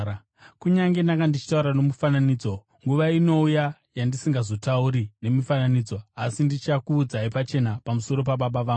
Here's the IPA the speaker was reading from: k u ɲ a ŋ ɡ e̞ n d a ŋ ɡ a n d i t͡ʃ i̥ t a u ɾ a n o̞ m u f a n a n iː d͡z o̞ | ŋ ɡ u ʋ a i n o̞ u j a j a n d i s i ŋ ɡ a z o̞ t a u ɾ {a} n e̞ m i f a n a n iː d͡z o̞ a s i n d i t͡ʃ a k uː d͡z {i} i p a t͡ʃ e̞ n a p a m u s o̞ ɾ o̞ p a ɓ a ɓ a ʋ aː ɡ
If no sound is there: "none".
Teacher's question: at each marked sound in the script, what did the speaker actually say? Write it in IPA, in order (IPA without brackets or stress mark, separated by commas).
i, a